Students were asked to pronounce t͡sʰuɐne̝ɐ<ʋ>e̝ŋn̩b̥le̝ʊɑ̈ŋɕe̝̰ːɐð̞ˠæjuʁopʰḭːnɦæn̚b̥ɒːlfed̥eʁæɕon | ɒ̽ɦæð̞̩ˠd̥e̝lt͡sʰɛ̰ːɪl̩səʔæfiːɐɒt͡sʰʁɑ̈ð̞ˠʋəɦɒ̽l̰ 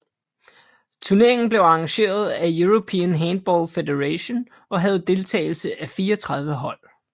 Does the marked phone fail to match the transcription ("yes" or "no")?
yes